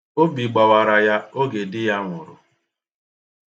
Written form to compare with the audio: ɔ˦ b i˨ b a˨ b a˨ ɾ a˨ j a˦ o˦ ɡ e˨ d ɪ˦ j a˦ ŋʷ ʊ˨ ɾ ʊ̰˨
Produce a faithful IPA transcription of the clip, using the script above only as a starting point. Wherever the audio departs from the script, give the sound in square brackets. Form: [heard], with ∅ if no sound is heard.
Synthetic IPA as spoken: [o˦] b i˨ [ɡ͡b] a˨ [w] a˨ ɾ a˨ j a˦ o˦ ɡ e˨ d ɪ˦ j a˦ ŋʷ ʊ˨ ɾ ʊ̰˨

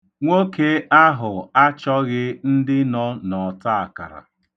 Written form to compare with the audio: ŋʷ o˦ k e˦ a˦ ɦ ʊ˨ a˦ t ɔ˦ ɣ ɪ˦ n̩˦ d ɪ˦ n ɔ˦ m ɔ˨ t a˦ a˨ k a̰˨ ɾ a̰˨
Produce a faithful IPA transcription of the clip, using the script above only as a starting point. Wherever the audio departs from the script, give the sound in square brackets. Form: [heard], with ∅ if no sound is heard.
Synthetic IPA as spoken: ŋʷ o˦ k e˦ a˦ ɦ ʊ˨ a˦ [t͡ʃ] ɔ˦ ɣ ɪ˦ n̩˦ d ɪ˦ n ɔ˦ [n] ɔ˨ t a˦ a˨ k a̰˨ ɾ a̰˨

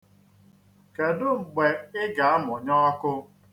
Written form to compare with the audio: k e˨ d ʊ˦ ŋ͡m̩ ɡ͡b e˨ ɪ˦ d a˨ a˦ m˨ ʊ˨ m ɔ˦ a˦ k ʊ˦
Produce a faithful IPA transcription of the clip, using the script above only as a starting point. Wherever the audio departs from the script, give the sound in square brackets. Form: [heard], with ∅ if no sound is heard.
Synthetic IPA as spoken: k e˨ d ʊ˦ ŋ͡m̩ ɡ͡b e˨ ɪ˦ [ɡ] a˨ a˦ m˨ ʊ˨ [ɲ] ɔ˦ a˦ k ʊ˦

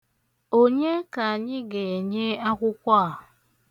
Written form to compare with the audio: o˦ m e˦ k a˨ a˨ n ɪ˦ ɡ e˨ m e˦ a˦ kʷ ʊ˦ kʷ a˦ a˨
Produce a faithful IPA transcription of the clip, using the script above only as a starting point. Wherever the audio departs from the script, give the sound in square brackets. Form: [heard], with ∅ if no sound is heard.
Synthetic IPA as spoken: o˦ [ɲ] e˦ k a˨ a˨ [ɲ] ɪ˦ ɡ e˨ [ɲ] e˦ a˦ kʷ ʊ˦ kʷ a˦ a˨

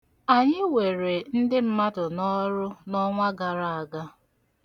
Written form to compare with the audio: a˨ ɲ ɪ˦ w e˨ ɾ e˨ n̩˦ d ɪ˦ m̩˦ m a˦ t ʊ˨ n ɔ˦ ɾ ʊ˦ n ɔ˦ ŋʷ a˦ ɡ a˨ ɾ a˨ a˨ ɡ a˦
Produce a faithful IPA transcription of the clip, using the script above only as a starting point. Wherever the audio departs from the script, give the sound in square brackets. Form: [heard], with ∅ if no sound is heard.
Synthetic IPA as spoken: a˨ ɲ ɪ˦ w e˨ ɾ e˨ n̩˦ d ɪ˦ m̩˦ m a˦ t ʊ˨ n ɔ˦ ɾ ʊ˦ n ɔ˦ ŋʷ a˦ ɡ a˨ ɾ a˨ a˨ ɡ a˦

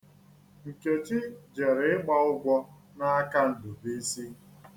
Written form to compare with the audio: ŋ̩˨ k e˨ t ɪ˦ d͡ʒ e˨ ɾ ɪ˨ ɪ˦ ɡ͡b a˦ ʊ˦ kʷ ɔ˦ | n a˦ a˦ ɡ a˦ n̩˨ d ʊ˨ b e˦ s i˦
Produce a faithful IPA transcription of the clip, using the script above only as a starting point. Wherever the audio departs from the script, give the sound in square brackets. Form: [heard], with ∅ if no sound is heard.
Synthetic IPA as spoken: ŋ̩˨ k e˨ [t͡ʃ] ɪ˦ d͡ʒ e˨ ɾ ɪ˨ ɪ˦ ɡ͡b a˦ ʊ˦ [ɡʷ] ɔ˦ | n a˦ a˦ [k] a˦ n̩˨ d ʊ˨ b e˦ s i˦

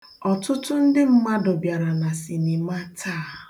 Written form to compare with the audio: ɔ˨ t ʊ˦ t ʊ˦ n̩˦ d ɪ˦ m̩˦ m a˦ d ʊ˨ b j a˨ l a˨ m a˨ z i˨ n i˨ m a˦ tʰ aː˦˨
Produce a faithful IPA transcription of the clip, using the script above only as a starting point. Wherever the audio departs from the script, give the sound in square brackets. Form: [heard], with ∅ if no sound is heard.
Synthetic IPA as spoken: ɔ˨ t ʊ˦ t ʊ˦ n̩˦ d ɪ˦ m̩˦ m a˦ d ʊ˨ b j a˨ [ɾ] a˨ [n] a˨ [s] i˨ n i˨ m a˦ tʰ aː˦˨

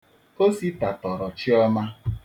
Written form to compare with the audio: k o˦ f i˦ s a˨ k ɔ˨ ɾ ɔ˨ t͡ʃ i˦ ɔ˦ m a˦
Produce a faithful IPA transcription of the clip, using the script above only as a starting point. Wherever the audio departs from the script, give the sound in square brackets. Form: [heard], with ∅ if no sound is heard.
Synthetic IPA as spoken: k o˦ [s] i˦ [t] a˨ [t] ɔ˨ ɾ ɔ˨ t͡ʃ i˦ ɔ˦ m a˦

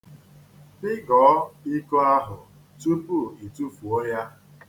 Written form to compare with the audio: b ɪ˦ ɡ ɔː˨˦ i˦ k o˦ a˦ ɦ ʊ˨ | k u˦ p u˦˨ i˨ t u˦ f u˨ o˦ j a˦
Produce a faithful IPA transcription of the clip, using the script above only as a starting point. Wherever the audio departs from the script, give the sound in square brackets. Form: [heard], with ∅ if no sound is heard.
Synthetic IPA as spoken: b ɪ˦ ɡ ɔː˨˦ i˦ k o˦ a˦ ɦ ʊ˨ | [t] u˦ p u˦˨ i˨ t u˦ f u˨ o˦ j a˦

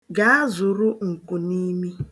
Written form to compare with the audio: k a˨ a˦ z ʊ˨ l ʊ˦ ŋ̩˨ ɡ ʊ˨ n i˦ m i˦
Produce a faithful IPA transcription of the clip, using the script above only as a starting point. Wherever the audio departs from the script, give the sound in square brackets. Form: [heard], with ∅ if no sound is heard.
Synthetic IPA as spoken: [ɡ] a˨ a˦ z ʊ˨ [ɾ] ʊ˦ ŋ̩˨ [k] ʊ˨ n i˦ m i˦

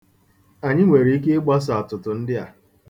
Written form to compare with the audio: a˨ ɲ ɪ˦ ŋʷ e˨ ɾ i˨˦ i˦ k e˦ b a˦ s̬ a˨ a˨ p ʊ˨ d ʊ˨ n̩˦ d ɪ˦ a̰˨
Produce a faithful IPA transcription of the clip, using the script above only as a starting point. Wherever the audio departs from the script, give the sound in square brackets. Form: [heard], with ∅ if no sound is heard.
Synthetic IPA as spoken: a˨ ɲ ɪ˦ ŋʷ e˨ ɾ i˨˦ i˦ k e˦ [ɡ͡b] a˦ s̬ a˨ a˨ [t] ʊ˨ [t] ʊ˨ n̩˦ d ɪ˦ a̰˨

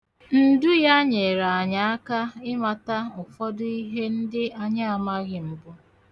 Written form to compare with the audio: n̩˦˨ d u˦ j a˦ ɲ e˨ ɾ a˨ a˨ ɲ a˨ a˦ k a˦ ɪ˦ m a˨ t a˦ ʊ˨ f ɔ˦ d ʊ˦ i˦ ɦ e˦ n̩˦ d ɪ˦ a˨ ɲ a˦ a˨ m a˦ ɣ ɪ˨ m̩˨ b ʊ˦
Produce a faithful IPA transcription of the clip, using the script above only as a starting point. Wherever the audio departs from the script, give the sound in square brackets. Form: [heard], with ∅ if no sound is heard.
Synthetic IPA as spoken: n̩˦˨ d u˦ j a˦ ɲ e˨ ɾ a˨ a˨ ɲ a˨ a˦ k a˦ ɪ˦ m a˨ t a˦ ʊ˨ f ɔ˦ d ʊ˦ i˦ ɦ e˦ n̩˦ d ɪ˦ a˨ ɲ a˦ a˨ m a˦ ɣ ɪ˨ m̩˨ b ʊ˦

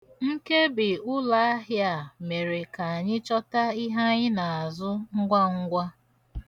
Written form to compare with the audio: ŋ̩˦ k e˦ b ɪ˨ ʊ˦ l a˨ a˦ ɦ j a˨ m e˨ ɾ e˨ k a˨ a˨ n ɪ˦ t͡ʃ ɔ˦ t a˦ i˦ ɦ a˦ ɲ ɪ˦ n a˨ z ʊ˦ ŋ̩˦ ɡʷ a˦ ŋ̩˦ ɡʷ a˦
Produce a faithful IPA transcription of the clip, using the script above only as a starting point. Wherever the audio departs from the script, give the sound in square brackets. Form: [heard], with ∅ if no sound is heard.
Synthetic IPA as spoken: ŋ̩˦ k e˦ b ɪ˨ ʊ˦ l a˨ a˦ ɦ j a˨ m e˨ ɾ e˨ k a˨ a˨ [ɲ] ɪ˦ t͡ʃ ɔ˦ t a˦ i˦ ɦ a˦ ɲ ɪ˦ n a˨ z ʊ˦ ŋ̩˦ ɡʷ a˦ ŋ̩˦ ɡʷ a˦

